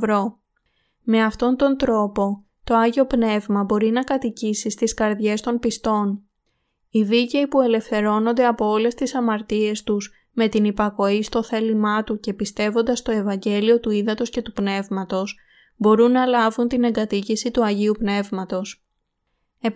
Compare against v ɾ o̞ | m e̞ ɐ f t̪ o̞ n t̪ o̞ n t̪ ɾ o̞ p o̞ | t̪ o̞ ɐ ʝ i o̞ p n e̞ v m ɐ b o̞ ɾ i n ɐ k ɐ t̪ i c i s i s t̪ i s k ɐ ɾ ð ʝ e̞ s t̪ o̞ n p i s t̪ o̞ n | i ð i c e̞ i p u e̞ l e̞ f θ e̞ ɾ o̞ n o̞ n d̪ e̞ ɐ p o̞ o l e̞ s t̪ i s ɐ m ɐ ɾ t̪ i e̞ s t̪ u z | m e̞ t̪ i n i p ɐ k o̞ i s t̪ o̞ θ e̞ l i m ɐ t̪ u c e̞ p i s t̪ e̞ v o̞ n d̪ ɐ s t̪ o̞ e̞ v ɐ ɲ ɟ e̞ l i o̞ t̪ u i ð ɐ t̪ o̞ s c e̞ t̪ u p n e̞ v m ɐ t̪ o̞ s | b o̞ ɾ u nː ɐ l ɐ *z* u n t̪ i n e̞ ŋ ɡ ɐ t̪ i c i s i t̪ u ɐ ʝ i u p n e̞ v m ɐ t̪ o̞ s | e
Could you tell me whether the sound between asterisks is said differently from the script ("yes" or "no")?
yes